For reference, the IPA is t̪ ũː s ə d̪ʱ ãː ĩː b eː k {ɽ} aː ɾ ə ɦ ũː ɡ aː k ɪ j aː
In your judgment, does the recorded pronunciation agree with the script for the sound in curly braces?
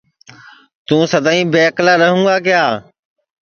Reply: no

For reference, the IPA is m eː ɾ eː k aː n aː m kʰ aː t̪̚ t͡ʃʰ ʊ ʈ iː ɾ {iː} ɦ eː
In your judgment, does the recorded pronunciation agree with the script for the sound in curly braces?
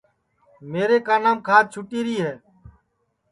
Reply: yes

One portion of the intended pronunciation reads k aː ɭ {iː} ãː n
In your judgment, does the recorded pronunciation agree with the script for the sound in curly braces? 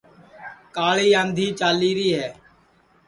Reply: yes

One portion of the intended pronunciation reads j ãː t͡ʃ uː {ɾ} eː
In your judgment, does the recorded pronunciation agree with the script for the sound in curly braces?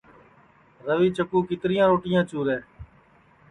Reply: yes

